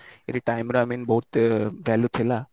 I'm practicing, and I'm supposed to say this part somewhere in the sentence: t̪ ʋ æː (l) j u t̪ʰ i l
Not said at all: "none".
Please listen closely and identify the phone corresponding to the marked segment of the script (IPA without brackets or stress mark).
l